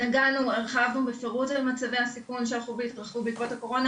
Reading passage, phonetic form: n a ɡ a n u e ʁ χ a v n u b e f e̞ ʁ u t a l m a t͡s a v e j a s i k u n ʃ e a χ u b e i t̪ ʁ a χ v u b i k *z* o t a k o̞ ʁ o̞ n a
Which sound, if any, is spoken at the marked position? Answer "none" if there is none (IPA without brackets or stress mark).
v